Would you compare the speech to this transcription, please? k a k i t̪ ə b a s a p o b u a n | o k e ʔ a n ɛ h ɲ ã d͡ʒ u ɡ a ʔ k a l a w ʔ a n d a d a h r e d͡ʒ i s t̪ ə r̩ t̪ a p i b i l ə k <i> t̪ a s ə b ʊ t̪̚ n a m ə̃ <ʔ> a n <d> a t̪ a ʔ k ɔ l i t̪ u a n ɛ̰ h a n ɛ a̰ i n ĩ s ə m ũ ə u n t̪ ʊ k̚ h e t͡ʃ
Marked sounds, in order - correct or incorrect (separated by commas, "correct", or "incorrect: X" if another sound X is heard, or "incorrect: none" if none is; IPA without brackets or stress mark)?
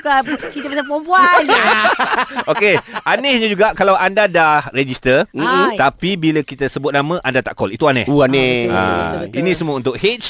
correct, correct, correct